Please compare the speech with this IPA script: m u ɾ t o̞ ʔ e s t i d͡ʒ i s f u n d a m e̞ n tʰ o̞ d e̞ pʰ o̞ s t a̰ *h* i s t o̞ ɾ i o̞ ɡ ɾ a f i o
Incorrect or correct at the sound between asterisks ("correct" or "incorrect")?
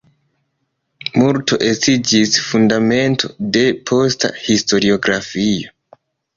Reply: correct